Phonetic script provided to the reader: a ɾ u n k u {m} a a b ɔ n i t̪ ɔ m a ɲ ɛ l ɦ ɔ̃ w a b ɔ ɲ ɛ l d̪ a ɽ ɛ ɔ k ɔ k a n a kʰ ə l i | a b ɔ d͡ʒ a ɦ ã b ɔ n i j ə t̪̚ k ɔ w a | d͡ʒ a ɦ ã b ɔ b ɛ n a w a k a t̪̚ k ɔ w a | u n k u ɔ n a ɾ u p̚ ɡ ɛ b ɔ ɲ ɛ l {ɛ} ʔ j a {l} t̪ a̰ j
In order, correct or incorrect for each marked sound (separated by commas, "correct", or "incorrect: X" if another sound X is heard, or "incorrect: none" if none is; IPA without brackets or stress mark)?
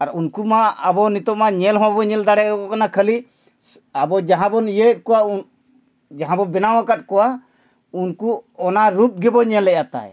correct, correct, incorrect: none